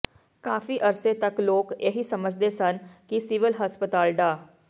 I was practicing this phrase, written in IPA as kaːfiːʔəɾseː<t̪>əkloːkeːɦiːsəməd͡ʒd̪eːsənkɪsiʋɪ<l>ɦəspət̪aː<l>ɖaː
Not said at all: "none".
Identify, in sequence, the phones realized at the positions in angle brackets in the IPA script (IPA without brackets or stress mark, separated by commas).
t̪, l, l